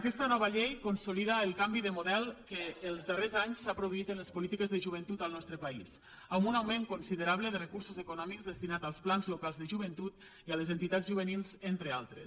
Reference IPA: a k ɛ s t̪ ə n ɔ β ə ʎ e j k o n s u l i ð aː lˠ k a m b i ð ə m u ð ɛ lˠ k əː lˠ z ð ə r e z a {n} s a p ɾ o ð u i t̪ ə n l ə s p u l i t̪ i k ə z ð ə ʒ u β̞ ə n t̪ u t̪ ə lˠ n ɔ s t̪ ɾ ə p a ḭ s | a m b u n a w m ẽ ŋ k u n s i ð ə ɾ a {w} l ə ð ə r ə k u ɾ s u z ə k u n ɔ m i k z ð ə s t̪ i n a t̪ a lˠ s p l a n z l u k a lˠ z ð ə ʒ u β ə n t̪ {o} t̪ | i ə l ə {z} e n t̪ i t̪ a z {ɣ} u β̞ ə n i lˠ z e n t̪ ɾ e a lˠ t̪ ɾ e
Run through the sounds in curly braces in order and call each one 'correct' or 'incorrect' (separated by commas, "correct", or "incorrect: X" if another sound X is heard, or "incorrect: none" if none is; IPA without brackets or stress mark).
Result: incorrect: ɲ, incorrect: β, incorrect: u, correct, incorrect: ʒ